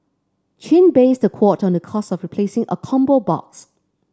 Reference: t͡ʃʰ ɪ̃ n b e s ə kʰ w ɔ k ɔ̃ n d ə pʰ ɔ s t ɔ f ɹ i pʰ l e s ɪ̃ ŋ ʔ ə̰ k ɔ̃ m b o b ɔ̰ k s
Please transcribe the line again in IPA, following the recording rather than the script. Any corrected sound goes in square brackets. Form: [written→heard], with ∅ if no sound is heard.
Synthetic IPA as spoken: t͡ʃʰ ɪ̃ n b e s ə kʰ w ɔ [k→t] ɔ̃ n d ə [pʰ→kʰ] ɔ s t ɔ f ɹ i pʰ l e s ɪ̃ ŋ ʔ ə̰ [k→kʰ] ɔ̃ m b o b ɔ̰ k s